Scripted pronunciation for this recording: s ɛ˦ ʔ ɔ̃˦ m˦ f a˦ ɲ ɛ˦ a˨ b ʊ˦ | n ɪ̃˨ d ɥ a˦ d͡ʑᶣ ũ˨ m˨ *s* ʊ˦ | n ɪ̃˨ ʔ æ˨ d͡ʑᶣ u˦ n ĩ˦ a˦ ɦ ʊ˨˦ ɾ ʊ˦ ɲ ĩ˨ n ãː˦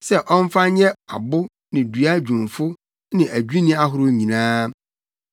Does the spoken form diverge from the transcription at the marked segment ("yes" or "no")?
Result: yes